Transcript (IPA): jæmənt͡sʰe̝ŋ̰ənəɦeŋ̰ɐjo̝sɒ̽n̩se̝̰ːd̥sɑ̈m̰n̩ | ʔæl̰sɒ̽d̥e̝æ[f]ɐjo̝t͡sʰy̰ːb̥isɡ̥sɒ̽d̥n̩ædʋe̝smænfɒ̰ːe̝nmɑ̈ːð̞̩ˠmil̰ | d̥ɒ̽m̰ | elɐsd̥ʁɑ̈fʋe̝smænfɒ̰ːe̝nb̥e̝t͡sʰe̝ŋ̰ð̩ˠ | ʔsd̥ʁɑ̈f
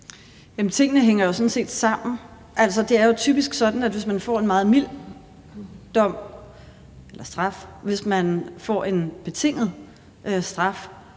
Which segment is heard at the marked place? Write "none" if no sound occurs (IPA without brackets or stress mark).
none